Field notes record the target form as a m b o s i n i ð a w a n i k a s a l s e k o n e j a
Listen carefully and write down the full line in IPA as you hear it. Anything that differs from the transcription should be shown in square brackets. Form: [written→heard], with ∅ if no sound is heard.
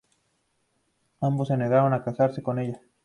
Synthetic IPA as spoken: a m b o s [i→e] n [i→e] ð a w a n [i→a] k a s a [l→ɾ] s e k o n e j a